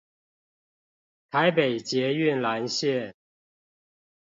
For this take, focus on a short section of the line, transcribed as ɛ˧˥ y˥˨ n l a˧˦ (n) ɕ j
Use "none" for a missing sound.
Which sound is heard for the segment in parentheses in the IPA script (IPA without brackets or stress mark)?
n